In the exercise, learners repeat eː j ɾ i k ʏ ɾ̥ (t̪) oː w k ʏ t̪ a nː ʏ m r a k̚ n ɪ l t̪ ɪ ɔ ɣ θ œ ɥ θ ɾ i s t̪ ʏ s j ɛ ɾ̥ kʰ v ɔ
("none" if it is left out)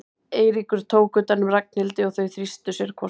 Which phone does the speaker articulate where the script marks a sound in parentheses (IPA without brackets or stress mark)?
t̪ʰ